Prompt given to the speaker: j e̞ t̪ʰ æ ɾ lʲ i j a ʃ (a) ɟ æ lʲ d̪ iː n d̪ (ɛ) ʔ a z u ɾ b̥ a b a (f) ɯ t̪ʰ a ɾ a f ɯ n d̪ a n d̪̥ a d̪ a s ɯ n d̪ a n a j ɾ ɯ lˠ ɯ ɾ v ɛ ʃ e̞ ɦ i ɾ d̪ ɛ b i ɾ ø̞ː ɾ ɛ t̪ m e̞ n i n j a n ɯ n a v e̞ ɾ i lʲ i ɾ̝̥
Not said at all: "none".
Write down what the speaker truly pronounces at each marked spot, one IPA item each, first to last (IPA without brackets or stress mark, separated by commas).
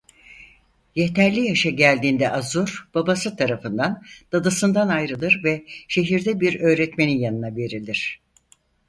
a, ɛ, s